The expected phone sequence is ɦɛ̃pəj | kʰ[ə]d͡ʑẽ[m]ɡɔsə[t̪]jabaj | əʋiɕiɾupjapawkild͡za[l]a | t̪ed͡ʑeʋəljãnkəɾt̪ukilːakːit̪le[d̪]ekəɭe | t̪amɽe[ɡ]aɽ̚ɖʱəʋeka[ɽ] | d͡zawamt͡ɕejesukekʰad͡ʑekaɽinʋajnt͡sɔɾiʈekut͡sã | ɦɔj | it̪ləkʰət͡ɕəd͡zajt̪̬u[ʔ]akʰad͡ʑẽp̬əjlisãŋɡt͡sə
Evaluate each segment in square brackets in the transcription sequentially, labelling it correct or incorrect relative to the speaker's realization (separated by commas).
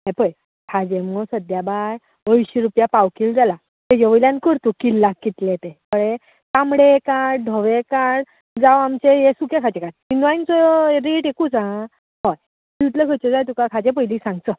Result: incorrect, correct, incorrect, correct, incorrect, incorrect, correct, incorrect